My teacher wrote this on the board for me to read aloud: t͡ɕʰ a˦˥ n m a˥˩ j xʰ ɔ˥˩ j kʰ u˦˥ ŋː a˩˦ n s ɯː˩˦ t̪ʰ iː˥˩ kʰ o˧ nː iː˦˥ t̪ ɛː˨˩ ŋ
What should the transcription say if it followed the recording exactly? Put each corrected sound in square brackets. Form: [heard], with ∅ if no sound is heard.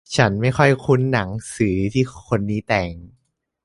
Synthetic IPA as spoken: t͡ɕʰ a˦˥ n m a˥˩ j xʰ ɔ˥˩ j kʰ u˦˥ [nː] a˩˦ [ŋ] s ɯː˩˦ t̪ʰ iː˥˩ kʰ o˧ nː iː˦˥ t̪ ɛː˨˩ ŋ